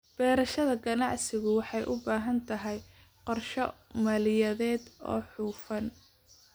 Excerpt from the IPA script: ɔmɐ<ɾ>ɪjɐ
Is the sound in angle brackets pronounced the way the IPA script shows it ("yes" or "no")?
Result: no